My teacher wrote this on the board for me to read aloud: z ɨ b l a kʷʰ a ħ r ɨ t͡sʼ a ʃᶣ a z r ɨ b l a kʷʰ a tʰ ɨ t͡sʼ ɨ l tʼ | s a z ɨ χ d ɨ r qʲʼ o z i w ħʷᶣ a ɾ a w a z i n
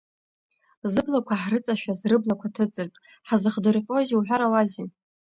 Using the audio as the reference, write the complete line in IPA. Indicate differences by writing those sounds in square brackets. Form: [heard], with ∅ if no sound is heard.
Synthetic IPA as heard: z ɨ b l a kʷʰ a ħ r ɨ t͡sʼ a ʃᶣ a z r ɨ b l a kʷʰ a tʰ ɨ t͡sʼ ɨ [r] tʼ | [ħ] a z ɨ χ d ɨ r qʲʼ o z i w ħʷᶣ a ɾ a w a z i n

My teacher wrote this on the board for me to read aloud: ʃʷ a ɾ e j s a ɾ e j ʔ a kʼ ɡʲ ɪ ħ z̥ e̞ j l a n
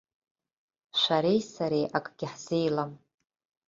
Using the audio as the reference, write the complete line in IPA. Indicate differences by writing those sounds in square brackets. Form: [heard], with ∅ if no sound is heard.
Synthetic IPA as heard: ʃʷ a ɾ e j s a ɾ e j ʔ a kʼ ɡʲ ɪ ħ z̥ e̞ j l a [m]

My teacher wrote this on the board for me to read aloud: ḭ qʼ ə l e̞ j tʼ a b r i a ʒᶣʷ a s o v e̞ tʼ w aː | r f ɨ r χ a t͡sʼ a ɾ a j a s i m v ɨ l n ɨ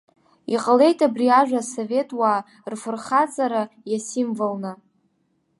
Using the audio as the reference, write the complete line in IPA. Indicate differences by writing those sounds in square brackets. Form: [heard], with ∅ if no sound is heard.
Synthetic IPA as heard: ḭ qʼ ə l e̞ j tʼ a b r i a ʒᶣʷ a s o v e̞ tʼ w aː | r f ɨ r χ a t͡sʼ a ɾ a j a s i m v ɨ l n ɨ

